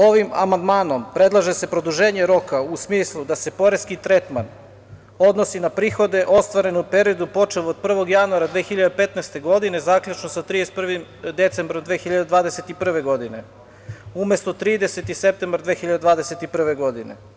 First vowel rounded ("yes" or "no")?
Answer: yes